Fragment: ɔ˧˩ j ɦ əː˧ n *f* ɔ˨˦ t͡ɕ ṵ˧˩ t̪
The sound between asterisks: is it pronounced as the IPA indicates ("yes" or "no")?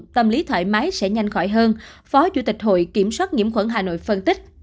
yes